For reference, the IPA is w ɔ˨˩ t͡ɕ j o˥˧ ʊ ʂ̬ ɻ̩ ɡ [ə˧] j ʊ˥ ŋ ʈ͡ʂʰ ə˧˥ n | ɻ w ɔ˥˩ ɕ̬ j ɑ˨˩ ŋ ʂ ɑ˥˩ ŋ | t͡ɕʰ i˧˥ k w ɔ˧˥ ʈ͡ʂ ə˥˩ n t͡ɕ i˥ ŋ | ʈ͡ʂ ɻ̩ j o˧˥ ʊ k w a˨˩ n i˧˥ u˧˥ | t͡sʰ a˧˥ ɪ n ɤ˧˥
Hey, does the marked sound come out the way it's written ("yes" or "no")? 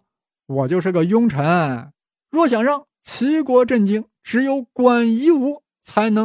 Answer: no